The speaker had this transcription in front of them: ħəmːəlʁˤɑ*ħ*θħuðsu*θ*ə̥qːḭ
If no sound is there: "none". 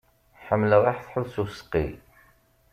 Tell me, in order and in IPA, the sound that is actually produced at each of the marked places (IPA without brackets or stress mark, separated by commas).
ħ, s